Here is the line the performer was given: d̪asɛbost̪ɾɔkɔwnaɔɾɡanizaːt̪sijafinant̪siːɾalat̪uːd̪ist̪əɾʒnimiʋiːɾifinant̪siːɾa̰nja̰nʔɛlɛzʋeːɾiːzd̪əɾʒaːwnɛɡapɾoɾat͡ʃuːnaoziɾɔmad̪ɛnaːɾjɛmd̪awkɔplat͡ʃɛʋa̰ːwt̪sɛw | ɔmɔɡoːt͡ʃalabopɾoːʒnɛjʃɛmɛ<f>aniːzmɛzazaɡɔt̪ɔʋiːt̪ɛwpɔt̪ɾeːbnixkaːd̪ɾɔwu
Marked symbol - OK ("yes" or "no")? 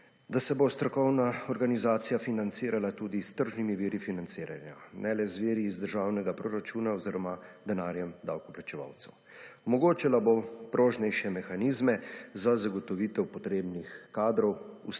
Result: no